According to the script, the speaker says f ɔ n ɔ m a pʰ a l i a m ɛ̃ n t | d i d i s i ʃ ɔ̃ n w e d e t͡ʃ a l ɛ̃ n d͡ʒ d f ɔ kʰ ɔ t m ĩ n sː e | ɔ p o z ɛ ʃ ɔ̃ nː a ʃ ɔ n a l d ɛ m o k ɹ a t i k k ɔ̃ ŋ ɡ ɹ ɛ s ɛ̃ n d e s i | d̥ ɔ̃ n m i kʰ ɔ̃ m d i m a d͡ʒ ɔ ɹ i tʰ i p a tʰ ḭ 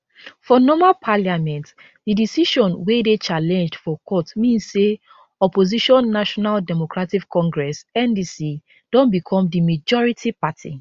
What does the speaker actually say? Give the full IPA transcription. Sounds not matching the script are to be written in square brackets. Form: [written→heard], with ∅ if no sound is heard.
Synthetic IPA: f ɔ n ɔ m a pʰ a l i a m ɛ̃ n t | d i d i s i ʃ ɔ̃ n w e d e t͡ʃ a l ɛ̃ n d͡ʒ d f ɔ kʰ ɔ t m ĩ n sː e | ɔ p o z [ɛ→i] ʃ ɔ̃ nː a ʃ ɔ n a l d ɛ m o k ɹ a t i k k ɔ̃ ŋ ɡ ɹ ɛ s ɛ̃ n d [e→i] s i | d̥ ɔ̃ n [m→b] i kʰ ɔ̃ m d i m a d͡ʒ ɔ ɹ i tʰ i p a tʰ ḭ

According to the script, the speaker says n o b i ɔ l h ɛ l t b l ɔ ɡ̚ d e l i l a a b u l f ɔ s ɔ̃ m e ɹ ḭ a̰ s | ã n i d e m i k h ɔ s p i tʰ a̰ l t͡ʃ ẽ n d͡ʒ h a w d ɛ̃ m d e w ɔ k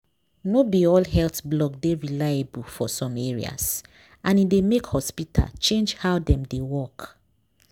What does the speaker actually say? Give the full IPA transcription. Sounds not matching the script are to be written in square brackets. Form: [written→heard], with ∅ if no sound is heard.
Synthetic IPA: n o b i ɔ l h ɛ l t b l ɔ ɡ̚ d e [l→ɹ] i l a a b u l f ɔ s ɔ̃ m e ɹ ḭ a̰ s | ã n i d e m [i→e] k h ɔ s p i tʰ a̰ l t͡ʃ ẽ n d͡ʒ h a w d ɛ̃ m d e w ɔ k

